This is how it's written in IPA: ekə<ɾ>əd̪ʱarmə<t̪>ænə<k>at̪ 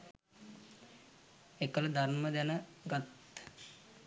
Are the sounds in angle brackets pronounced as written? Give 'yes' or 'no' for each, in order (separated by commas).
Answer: no, no, no